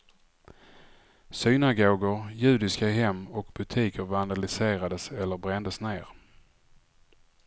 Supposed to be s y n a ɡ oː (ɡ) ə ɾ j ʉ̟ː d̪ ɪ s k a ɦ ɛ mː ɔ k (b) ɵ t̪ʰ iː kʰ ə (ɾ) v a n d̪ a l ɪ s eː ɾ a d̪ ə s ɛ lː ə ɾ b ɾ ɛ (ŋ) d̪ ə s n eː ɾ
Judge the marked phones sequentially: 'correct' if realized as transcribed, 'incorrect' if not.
correct, correct, correct, incorrect

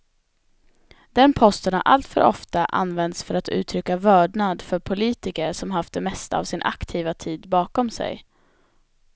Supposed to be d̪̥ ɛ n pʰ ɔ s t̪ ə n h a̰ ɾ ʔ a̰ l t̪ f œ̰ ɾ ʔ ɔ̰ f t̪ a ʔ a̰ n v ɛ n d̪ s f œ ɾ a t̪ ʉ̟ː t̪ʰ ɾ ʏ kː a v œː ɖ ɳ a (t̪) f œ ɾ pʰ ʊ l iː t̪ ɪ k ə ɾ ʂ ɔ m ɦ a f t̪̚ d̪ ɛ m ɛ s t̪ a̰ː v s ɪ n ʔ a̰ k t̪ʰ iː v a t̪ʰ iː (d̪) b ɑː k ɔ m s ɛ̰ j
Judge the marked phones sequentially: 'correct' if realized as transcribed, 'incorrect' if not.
incorrect, correct

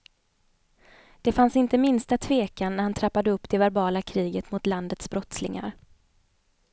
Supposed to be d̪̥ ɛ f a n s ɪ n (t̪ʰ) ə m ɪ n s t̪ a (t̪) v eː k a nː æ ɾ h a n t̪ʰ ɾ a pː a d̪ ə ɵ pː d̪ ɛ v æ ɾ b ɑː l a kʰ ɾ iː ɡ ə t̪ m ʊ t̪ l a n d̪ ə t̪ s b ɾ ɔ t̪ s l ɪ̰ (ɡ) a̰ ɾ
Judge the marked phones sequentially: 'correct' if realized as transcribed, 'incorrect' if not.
incorrect, incorrect, incorrect

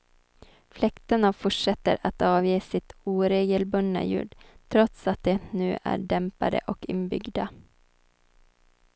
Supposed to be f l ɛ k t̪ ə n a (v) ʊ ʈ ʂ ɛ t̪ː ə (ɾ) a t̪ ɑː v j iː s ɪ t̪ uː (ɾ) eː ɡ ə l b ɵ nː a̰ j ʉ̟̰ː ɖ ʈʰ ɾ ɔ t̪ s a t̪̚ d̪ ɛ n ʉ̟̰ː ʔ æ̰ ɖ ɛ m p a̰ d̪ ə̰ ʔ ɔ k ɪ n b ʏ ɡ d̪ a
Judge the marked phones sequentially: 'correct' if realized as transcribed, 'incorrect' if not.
incorrect, correct, correct

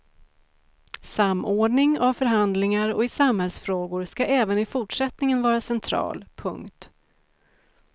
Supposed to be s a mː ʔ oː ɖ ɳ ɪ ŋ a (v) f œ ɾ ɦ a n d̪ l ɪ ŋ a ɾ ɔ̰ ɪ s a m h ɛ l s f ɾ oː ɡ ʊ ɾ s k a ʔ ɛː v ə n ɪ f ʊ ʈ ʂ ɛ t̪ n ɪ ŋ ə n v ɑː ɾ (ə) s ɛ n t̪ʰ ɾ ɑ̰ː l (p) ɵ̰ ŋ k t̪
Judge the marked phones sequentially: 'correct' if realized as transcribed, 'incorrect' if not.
correct, incorrect, incorrect

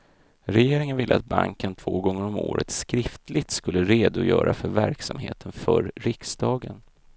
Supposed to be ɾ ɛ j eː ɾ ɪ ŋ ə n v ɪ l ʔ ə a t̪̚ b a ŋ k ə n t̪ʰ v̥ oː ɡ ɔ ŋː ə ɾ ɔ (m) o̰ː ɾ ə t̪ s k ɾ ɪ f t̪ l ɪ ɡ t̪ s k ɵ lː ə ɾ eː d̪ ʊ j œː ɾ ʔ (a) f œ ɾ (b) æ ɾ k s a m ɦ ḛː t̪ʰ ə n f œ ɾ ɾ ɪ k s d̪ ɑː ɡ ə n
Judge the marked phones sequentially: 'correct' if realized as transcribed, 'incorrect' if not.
correct, correct, incorrect

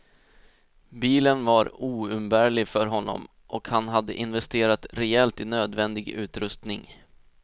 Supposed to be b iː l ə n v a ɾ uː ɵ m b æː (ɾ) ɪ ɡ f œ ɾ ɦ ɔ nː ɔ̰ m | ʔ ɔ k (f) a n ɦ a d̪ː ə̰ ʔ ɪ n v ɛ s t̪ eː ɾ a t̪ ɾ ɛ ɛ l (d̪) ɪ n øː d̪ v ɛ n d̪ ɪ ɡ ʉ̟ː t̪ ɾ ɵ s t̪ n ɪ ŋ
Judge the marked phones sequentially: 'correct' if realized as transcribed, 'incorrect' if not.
incorrect, incorrect, incorrect

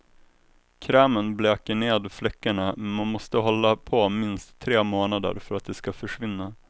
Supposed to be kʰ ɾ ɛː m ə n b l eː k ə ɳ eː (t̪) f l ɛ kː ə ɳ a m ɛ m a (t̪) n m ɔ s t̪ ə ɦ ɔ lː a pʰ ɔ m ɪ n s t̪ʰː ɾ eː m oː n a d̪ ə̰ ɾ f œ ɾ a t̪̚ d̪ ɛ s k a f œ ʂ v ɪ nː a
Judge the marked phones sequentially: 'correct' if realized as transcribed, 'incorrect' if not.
incorrect, incorrect

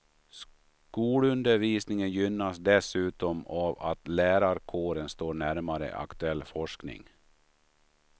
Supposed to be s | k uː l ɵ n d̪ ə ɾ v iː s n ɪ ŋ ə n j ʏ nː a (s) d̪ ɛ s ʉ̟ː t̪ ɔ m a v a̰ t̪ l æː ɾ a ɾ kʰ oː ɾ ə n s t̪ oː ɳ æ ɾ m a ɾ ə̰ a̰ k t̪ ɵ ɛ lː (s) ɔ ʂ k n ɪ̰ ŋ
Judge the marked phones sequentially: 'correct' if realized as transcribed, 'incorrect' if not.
correct, incorrect

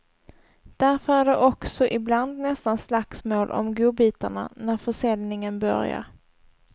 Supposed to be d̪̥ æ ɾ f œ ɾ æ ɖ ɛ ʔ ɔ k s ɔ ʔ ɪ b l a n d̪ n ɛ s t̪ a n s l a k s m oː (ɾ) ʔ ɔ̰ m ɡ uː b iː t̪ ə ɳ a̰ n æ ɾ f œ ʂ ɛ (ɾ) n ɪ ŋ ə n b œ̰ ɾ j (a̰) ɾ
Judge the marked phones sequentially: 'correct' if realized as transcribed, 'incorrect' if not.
incorrect, incorrect, correct

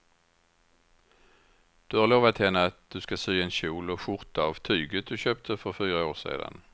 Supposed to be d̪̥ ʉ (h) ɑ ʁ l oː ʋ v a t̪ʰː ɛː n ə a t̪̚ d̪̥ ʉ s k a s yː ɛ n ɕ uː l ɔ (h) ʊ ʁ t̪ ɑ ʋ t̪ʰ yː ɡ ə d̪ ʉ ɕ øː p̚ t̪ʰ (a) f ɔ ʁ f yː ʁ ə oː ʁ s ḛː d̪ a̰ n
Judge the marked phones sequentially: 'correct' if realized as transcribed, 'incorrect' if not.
correct, incorrect, incorrect

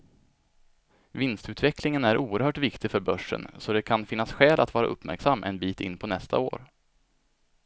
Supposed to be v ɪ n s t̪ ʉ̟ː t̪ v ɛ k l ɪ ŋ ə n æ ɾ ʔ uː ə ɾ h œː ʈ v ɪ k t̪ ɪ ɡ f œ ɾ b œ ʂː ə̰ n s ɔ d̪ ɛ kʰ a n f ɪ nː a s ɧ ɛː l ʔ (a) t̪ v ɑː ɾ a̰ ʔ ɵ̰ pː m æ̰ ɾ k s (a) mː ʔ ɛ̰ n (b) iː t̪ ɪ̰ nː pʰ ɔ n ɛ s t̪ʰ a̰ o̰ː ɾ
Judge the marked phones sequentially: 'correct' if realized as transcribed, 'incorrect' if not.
correct, correct, correct

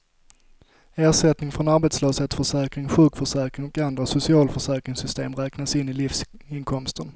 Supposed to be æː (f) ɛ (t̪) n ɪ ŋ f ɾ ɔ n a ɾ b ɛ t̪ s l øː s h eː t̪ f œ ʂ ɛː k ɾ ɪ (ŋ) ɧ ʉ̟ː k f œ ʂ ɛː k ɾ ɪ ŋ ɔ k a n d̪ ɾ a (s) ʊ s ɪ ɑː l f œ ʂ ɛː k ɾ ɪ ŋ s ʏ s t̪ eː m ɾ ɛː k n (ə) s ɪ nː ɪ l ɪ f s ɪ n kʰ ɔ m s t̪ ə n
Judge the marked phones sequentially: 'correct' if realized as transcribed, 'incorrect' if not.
incorrect, correct, correct, correct, incorrect

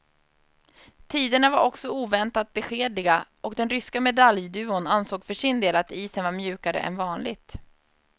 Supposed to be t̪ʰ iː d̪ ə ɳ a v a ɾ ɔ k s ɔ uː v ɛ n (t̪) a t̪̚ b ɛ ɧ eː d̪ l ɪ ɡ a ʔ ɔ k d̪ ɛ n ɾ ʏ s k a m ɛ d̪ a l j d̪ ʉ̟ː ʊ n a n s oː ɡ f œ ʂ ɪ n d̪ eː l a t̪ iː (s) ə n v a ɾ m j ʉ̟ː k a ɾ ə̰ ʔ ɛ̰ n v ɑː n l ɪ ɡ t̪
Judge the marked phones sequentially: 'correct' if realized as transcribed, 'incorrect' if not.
correct, correct

